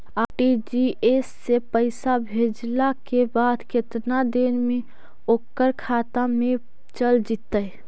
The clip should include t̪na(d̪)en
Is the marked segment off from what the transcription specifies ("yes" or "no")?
no